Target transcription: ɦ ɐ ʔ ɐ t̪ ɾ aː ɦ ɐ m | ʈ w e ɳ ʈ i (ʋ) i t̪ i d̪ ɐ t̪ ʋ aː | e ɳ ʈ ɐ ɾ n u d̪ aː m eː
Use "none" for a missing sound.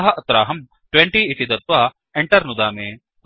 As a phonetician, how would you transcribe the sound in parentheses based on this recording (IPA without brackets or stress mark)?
none